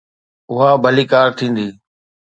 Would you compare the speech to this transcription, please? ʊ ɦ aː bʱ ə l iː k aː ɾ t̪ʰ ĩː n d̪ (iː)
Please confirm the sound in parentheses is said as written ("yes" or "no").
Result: yes